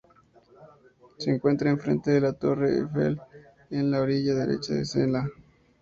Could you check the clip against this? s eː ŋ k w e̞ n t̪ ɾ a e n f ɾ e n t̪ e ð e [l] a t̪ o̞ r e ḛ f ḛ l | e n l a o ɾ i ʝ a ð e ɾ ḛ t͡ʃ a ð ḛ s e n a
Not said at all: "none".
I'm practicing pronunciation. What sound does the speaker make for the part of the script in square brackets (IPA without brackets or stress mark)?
l